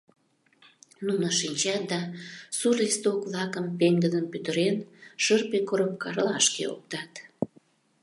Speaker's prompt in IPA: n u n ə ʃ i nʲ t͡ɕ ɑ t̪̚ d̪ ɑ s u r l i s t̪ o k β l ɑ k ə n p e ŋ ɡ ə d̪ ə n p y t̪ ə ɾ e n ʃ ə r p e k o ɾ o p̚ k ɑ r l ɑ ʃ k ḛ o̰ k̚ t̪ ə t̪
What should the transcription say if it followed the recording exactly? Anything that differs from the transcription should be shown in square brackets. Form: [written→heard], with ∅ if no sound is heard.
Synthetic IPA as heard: n u n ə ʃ i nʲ t͡ɕ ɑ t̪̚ d̪ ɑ s u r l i s t̪ o k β l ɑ k ə [n→m] p e ŋ ɡ ə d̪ ə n p y t̪ ə ɾ e n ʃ ə r p e k o ɾ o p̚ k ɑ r l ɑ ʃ k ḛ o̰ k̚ t̪ [ə→ɑ] t̪

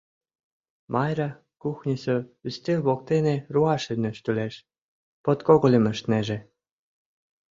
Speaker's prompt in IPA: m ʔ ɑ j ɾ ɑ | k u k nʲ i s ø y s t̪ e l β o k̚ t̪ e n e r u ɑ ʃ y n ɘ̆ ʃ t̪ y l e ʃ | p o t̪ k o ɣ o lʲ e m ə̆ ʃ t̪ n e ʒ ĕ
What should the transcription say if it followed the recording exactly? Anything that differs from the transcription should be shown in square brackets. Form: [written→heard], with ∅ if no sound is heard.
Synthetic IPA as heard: m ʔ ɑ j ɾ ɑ | k u [k→x] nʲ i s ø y s t̪ e l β o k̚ t̪ e n e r u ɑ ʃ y n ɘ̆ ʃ t̪ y l e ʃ | p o t̪ k o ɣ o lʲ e m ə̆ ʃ t̪ n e ʒ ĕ

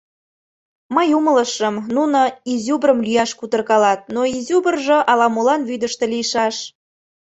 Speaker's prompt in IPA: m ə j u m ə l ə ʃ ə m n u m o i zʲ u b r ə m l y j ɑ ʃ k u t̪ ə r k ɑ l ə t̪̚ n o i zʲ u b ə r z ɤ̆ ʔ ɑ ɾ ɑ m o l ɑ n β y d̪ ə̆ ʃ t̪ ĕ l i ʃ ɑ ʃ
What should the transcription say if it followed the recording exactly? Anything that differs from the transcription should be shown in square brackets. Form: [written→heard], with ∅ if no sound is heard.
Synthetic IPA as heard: m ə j u m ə l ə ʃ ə m n u [m→n] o i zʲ u b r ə m l y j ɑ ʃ k u t̪ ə r k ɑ l [ə→ɑ] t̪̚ n o i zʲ u b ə r [z→ʒ] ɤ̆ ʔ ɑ [ɾ→l] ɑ m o l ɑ n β y d̪ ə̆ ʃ t̪ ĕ l i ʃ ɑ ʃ

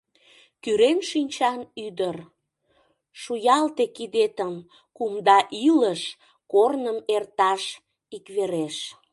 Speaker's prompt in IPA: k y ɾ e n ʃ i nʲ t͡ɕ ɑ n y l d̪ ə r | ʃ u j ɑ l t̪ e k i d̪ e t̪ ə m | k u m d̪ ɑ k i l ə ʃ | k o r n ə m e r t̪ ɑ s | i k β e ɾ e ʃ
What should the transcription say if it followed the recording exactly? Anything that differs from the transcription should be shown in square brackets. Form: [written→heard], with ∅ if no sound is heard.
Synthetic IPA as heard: k y ɾ e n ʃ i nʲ t͡ɕ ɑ n y [l→∅] d̪ ə r | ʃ u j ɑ l t̪ e k i d̪ e t̪ ə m | k u m d̪ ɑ [k→ʔ] i l ə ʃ | k o r n ə m e r t̪ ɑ [s→ʃ] | i k β e ɾ e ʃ

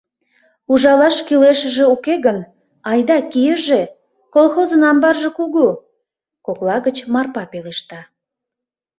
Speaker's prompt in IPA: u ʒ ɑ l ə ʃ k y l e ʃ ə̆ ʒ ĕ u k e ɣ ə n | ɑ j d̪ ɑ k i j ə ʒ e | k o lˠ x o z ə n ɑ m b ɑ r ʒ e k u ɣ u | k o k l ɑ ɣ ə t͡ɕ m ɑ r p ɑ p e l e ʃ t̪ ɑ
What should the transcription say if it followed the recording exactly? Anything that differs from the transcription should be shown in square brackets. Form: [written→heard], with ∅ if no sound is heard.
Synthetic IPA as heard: u ʒ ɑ l [ə→ɑ] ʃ k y l e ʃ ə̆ ʒ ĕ u k e ɣ ə n | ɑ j d̪ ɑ k i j ə ʒ e | k o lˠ x o z ə n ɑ m b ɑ r ʒ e k u ɣ u | k o k l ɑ ɣ ə t͡ɕ m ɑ r p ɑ p e l e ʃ t̪ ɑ

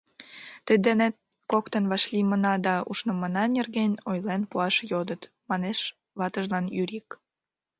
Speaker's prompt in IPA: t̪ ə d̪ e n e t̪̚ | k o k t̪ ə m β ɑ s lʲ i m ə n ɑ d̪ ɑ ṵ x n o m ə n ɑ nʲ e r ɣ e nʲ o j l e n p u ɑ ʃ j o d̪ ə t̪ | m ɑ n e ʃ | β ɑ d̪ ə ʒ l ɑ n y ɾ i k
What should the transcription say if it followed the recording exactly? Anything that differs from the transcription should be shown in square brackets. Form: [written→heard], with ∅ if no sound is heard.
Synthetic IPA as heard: t̪ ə d̪ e n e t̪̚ | k o k t̪ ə [m→n] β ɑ [s→ʃ] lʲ i m ə n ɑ d̪ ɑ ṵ [x→ʃ] n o m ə n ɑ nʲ e r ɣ e nʲ o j l e n p u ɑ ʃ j o d̪ ə t̪ | m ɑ n e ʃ | β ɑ [d̪→t̪] ə ʒ l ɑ n y ɾ i k

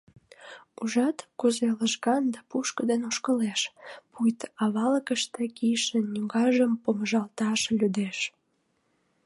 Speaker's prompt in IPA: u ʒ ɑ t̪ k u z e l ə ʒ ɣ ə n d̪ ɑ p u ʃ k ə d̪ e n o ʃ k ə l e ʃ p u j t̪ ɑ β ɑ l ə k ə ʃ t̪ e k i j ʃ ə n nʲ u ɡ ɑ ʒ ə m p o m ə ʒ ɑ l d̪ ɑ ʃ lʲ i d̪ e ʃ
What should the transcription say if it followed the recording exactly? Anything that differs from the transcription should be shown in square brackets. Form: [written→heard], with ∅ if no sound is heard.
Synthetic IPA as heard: u ʒ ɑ t̪ k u z e l ə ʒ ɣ [ə→ɑ] n d̪ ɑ p u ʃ k ə d̪ e n o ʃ k ə l e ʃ p u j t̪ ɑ β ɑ l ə k ə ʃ t̪ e k i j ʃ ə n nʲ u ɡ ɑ ʒ ə m p o m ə ʒ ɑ l [d̪→t̪] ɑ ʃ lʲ [i→y] d̪ e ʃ

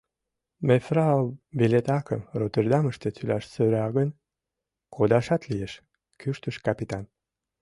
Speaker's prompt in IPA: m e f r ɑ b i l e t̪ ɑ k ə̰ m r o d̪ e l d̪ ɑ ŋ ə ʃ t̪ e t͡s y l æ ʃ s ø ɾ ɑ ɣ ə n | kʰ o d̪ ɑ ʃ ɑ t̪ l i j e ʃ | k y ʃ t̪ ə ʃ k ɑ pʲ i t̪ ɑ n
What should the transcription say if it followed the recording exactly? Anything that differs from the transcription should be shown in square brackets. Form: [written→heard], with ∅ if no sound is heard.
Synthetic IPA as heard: m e f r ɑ b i l e t̪ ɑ k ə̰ m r o [d̪→t̪] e [l→r] d̪ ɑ [ŋ→m] ə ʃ t̪ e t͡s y l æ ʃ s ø ɾ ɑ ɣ ə n | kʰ o d̪ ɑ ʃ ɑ t̪ l i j e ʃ | k y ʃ t̪ ə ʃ k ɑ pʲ i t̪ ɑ n

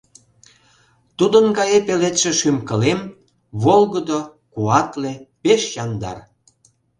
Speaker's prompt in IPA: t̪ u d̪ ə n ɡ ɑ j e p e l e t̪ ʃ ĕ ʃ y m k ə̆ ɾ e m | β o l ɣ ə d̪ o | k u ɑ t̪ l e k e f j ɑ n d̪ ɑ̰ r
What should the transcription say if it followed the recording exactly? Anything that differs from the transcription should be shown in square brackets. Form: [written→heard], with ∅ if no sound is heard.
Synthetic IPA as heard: t̪ u d̪ ə n ɡ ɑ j e p e l e t̪ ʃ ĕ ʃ y m k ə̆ [ɾ→l] e m | β o l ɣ ə d̪ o | k u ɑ t̪ l e [k→p] e [f→ʃ] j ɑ n d̪ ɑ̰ r

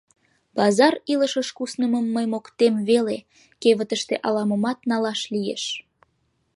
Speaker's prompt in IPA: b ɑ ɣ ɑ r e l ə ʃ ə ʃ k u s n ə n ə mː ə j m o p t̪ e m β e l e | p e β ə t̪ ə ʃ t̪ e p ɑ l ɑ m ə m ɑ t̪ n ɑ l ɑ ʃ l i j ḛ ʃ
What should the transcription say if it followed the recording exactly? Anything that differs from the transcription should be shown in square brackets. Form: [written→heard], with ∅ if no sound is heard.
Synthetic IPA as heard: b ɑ [ɣ→z] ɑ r [e→i] l ə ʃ ə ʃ k u s n ə [n→m] ə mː ə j m o [p→k] t̪ e m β e l e | [p→k] e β ə t̪ ə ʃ t̪ e [p→ʔ] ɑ l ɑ m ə m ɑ t̪ n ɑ l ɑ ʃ l i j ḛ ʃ

